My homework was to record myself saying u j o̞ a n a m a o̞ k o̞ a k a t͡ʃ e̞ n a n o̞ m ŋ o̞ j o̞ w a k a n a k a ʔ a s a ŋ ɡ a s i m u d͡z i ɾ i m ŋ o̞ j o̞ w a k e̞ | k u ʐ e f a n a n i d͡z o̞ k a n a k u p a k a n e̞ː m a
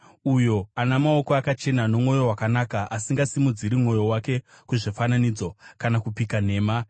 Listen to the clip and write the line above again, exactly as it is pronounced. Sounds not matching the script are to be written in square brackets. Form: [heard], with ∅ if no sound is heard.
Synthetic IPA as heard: u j o̞ a n a m a o̞ k o̞ a k a t͡ʃ e̞ n a n o̞ m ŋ o̞ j o̞ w a k a n a k a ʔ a s [i] ŋ ɡ a s i m u d͡z i ɾ i m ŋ o̞ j o̞ w a k e̞ | k u ʐ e f a n a n i d͡z o̞ k a n a k u p [i] k a n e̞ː m a